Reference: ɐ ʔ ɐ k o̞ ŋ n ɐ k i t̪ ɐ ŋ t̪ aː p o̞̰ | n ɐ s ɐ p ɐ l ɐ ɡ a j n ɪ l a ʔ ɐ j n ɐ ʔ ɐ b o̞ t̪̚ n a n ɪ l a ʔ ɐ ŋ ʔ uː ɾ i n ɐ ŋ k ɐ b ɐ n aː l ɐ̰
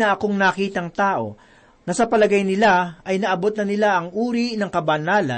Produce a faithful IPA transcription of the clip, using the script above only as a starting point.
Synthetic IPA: ɐ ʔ ɐ k o̞ ŋ n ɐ k iː t̪ ɐ ŋ t̪ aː ʔ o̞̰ | n ɐ s ɐ p ɐ l ɐ ɡ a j n ɪ l a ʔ ɐ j n ɐ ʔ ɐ b o̞ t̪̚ n ɐ n ɪ l a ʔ ɐ ŋ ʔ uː ɾ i n ɐ ŋ k ɐ b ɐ n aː l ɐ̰